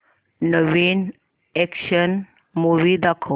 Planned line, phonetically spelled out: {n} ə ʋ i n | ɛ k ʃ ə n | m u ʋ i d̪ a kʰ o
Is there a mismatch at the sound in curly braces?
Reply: no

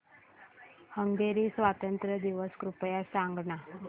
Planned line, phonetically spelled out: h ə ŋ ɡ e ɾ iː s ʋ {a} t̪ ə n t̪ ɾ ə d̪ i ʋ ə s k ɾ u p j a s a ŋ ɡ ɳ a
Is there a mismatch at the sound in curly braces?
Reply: no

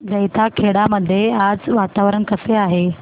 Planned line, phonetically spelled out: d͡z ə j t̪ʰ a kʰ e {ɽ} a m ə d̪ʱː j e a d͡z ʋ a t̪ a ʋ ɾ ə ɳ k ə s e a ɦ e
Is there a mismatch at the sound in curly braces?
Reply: no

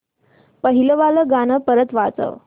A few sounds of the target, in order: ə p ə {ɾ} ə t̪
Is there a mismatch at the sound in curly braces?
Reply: no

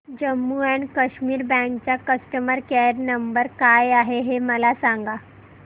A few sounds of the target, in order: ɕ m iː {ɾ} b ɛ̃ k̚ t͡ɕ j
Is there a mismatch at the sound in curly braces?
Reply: no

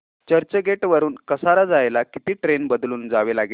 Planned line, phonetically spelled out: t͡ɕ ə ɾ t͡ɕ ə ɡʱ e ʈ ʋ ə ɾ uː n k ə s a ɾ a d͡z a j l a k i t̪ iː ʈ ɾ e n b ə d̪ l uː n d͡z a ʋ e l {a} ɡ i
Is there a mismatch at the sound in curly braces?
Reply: no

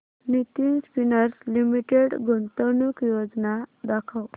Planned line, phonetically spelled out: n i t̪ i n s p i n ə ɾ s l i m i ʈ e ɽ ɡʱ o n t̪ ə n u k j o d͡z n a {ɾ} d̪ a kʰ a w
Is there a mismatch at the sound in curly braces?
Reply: yes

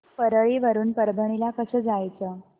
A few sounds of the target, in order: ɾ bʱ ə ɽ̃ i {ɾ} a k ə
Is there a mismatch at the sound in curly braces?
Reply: yes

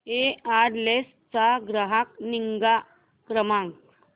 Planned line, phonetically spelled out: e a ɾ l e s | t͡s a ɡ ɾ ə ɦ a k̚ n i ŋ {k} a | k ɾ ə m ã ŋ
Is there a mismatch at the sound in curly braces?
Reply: yes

